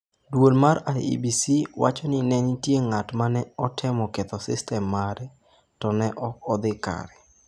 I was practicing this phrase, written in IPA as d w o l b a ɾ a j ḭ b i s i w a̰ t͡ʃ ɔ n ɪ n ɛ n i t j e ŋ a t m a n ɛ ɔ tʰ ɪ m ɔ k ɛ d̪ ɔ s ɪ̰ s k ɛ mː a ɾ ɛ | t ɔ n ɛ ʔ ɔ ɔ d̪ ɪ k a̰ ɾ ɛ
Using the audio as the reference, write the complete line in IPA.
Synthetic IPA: d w o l m a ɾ a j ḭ b i s i w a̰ t͡ʃ ɔ n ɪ n ɛ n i t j e ŋ a t m a n ɛ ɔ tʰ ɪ m ɔ k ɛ t̪ ɔ s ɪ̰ s t ɛ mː a ɾ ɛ | t ɔ n ɛ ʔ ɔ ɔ d̪ ɪ k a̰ ɾ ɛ